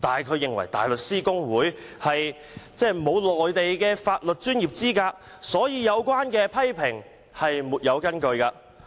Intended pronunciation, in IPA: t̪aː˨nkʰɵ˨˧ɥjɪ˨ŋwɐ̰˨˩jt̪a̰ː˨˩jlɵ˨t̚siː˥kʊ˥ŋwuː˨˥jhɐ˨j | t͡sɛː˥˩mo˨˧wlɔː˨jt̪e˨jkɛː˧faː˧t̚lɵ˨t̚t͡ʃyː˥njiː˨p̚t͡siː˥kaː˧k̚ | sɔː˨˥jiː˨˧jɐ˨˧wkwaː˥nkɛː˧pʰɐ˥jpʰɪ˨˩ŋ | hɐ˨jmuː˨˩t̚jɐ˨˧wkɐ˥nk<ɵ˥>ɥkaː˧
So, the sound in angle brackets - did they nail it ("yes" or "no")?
no